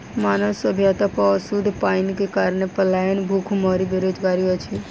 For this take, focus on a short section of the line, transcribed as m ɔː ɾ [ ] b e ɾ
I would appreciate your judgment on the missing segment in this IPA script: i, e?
i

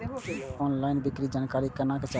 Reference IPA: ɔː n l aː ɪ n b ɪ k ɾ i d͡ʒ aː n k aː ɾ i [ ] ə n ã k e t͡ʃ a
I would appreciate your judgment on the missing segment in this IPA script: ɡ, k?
k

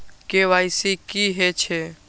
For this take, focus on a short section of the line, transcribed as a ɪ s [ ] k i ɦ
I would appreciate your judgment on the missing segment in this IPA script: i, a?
i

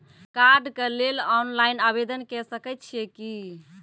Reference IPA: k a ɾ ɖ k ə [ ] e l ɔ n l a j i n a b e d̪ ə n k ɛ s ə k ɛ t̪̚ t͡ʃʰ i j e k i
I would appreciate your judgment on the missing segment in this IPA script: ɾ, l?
l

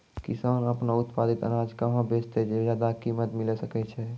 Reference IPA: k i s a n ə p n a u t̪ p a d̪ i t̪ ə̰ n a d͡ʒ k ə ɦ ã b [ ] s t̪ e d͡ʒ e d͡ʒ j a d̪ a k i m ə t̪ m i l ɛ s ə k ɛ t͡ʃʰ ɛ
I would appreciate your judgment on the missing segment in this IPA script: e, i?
e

